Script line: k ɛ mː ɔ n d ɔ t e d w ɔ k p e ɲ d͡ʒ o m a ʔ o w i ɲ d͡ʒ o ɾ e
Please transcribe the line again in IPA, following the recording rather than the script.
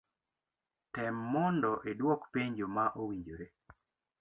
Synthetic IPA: t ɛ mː ɔ n d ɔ ʔ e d w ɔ k p e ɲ d͡ʒ o m a ʔ o w i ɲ d͡ʒ o ɾ e